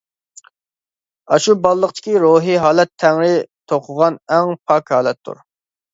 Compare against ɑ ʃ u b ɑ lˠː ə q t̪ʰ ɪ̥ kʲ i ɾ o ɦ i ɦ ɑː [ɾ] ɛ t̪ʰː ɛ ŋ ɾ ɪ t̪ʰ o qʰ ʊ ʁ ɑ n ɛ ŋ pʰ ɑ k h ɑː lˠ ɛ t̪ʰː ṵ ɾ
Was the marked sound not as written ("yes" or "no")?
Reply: yes